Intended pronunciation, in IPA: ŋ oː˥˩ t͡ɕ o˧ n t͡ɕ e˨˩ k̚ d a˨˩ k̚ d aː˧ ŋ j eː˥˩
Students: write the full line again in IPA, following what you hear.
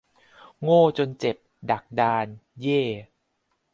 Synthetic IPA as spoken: ŋ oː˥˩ t͡ɕ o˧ n t͡ɕ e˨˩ p̚ d a˨˩ k̚ d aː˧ n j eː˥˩